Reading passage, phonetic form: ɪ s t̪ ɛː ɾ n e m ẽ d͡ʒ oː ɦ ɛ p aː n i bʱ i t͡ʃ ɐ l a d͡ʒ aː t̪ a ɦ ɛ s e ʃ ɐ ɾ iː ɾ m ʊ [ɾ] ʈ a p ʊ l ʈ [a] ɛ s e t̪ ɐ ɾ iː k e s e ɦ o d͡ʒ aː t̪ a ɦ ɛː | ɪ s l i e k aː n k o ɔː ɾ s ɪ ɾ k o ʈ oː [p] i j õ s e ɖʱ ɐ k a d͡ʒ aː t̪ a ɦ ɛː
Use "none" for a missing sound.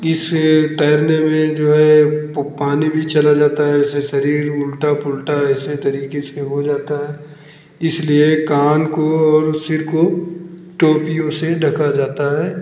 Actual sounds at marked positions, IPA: l, a, p

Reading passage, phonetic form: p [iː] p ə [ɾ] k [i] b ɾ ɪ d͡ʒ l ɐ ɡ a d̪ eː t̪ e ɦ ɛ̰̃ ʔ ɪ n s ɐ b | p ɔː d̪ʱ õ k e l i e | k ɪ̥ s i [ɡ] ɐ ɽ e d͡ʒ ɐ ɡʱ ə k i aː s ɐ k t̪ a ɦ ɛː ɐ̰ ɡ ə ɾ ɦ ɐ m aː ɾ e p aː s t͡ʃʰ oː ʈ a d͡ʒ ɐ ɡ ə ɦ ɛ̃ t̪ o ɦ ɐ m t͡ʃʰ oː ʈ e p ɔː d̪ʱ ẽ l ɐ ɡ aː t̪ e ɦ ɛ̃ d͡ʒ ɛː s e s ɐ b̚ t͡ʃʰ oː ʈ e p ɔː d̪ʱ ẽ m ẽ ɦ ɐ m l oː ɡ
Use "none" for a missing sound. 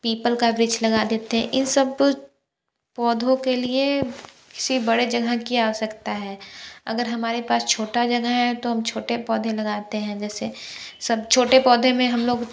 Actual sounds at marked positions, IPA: iː, l, a, b

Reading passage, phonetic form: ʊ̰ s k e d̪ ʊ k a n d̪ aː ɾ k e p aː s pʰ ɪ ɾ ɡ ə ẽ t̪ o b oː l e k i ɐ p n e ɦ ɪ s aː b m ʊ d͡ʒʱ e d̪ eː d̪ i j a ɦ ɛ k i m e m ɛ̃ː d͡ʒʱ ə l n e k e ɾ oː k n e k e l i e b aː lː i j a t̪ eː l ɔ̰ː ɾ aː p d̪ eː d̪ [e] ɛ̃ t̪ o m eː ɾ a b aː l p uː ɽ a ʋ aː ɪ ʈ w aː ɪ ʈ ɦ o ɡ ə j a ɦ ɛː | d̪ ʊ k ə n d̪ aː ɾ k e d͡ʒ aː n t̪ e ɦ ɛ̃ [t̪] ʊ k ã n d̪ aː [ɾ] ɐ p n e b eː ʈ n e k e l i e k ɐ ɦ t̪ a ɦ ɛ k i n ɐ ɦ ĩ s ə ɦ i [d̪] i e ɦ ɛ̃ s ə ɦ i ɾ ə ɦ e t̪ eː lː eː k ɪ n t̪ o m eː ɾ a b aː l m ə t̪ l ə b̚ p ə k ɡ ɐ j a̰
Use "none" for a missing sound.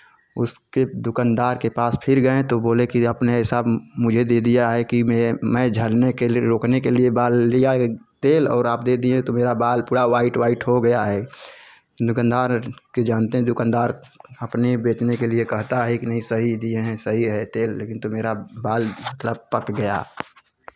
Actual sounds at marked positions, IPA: i, d̪, ɾ, d̪

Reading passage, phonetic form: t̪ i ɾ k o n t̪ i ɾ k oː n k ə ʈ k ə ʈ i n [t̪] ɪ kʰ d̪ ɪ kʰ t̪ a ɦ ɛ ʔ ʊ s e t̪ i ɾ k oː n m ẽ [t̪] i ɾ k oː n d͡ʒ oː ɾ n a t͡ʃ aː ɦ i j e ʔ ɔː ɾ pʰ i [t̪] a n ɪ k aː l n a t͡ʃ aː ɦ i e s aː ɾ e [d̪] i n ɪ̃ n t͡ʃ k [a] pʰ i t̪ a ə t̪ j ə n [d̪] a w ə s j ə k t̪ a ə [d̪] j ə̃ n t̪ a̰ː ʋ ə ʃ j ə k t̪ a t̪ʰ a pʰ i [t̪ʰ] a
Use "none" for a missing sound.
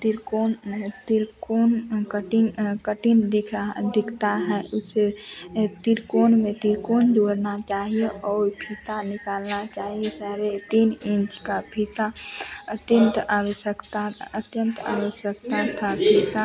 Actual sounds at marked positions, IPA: d̪, t̪, t̪, t̪, a, t̪, t̪, t̪

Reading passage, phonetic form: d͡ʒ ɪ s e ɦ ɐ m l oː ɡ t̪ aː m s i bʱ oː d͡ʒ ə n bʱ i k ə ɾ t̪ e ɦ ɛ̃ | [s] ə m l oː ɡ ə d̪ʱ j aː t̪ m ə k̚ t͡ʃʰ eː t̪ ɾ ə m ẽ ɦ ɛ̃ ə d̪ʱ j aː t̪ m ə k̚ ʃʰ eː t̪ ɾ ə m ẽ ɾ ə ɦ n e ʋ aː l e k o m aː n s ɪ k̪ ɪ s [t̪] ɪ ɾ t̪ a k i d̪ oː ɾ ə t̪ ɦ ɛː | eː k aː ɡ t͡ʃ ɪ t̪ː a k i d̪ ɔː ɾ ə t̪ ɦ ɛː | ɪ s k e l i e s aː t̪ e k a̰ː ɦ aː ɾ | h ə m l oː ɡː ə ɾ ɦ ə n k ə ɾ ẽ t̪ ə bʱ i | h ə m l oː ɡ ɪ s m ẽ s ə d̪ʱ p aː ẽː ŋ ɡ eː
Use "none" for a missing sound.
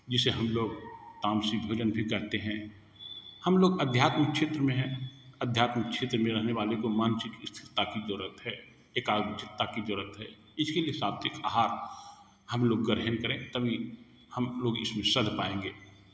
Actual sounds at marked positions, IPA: h, t̪ʰ

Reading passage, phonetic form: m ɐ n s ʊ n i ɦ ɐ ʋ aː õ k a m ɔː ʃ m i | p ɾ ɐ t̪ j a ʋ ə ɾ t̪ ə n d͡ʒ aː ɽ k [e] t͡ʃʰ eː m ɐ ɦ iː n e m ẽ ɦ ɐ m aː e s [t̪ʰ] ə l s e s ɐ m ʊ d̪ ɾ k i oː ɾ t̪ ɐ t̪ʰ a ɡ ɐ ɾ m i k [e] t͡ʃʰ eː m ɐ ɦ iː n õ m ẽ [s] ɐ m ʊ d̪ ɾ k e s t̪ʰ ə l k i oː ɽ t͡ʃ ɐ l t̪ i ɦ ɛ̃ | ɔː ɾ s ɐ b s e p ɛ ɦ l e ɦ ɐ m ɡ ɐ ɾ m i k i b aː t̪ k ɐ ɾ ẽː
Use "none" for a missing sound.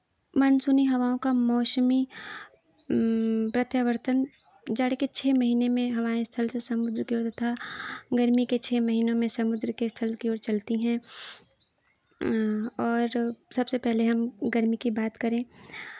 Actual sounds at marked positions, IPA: e, t̪ʰ, e, s

